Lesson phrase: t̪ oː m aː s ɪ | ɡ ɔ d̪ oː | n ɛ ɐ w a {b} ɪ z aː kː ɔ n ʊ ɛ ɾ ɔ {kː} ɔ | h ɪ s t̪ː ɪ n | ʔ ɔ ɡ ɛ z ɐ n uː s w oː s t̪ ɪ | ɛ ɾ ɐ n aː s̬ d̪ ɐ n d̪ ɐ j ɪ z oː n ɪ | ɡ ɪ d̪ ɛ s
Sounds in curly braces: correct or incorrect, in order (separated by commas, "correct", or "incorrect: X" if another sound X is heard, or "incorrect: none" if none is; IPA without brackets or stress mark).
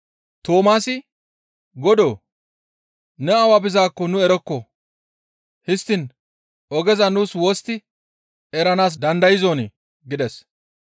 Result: correct, correct